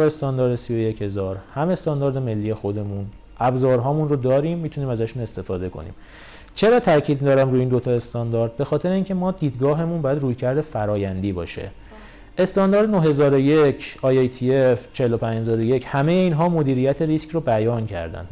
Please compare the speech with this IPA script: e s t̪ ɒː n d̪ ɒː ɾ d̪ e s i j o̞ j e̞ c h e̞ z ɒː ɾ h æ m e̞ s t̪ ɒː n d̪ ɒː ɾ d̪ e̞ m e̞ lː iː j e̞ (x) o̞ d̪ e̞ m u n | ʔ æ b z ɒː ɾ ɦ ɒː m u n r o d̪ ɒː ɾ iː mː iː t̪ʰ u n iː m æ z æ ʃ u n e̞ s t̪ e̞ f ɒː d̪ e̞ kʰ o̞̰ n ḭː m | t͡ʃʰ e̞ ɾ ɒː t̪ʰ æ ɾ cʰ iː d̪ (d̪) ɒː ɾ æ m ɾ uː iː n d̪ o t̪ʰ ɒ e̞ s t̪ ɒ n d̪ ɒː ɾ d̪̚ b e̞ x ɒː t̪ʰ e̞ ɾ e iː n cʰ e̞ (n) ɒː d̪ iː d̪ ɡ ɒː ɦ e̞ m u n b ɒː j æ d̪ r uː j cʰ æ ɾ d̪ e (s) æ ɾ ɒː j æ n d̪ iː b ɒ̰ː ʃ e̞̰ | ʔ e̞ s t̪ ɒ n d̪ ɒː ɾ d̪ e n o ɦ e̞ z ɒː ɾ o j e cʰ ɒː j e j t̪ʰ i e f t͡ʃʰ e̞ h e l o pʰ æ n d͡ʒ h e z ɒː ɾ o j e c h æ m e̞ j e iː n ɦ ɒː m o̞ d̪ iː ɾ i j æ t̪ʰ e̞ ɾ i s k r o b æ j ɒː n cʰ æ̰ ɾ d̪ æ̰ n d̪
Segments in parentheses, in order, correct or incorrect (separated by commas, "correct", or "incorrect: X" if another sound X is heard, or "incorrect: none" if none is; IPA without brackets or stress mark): correct, correct, incorrect: m, incorrect: f